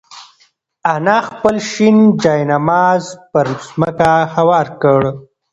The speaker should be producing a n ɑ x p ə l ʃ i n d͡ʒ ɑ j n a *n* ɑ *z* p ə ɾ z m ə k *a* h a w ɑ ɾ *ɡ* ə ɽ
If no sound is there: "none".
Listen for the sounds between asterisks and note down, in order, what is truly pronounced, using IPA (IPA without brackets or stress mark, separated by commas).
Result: m, z, a, k